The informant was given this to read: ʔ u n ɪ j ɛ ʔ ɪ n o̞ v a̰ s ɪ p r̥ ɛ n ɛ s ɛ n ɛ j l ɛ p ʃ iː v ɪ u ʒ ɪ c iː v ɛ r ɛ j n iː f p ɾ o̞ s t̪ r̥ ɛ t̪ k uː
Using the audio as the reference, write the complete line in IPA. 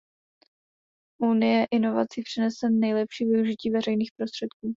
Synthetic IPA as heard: ʔ u n ɪ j ɛ ʔ ɪ n o̞ v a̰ t͡s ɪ p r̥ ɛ n ɛ s ɛ n ɛ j l ɛ p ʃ iː v ɪ u ʒ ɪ c iː v ɛ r ɛ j n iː x p ɾ o̞ s t̪ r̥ ɛ t̪ k uː